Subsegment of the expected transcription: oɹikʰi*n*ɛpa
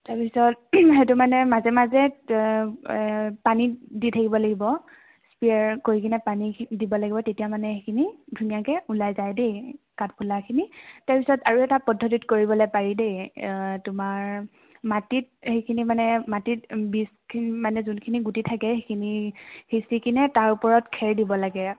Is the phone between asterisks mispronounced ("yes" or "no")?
no